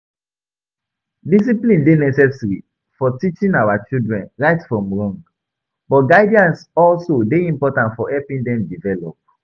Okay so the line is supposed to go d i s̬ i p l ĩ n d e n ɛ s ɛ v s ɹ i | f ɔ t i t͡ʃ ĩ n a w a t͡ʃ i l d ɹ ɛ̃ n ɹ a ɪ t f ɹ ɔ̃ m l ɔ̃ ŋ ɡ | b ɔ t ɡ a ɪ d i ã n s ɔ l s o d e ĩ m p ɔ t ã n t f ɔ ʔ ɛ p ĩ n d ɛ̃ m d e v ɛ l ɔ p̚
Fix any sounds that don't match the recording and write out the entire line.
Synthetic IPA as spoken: d i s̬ i p l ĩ n d e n ɛ s ɛ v s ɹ i | f ɔ t i t͡ʃ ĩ n a w a t͡ʃ i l d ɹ ɛ̃ n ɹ a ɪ t f ɹ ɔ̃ m ɹ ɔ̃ ŋ ɡ | b ɔ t ɡ a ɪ d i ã n s ɔ l s o d e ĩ m p ɔ t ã n t f ɔ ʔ ɛ p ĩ n d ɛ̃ m d i v ɛ l ɔ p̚